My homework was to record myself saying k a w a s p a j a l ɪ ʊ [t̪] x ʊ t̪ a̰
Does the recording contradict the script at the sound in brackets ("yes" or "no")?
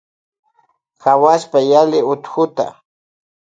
no